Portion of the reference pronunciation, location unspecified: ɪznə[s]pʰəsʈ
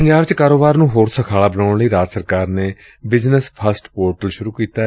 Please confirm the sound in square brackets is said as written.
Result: yes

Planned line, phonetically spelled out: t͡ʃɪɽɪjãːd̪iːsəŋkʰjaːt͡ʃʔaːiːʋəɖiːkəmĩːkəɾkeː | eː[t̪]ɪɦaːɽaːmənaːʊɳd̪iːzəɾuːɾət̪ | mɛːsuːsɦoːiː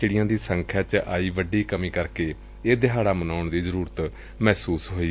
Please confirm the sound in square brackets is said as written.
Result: no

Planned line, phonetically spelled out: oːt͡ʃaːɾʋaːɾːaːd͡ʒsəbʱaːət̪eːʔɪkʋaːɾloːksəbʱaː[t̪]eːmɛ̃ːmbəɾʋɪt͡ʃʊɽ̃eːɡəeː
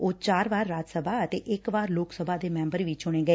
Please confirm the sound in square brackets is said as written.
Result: no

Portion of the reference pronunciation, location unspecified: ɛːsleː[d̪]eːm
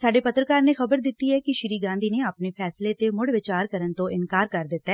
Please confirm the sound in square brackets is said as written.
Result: no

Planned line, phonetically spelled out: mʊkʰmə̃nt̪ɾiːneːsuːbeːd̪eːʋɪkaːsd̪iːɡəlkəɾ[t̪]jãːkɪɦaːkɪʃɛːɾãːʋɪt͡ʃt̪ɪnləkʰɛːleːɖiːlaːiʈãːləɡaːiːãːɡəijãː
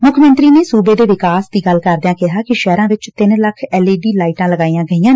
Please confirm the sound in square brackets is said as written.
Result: no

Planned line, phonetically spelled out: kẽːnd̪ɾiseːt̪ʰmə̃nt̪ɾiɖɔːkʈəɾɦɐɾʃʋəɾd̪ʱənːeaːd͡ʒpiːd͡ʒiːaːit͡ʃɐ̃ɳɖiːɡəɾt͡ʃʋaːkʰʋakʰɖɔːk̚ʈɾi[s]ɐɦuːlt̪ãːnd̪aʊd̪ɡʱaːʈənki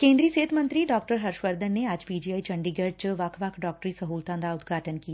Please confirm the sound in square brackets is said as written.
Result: yes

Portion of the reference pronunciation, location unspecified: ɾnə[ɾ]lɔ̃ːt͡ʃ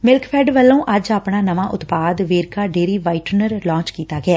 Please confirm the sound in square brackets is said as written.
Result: yes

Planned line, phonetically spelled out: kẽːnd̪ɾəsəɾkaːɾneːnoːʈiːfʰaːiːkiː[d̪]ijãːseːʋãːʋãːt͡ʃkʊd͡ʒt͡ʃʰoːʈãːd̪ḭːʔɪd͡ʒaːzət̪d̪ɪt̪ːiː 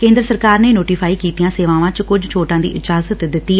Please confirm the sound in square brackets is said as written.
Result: no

